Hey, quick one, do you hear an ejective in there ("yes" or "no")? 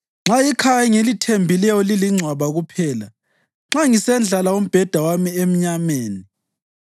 no